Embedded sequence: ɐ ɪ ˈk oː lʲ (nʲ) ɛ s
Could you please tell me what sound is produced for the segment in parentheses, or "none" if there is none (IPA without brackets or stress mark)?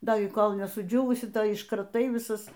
nʲ